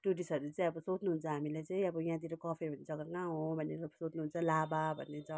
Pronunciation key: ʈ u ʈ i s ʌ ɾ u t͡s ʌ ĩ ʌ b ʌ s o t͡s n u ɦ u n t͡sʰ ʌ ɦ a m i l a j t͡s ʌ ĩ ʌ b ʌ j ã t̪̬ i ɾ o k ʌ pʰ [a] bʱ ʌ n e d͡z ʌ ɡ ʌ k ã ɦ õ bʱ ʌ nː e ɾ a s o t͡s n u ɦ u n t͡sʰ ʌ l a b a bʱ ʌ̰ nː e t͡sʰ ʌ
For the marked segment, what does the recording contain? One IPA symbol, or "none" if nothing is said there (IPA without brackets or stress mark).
e